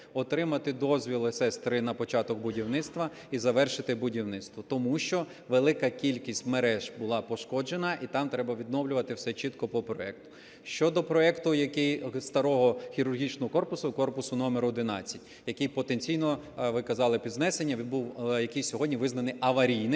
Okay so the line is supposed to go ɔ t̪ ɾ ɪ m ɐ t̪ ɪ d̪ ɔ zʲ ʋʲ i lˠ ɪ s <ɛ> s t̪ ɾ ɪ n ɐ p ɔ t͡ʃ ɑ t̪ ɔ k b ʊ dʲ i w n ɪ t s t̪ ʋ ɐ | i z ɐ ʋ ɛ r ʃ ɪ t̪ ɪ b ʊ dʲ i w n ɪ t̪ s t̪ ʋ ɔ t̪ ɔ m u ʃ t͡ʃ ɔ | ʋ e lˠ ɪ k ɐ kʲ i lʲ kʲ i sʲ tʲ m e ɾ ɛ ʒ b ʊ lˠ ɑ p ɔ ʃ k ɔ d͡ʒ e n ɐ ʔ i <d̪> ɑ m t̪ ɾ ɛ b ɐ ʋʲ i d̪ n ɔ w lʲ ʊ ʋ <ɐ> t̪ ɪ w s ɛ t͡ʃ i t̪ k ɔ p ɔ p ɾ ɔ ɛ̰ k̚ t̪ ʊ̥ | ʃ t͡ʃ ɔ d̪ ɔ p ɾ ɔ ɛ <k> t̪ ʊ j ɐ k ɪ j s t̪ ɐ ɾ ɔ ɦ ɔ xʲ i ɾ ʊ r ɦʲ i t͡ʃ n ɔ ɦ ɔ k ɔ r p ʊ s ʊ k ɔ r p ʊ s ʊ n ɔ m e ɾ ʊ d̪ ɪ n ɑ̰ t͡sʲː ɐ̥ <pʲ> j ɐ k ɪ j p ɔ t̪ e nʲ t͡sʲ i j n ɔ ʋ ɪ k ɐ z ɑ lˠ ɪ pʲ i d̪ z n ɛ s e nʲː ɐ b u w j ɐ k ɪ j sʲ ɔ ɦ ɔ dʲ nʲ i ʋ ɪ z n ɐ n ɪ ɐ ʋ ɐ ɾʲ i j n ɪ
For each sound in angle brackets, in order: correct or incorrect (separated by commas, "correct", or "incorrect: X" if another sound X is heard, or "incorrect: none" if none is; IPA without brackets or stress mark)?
correct, incorrect: t̪, correct, correct, incorrect: tʲ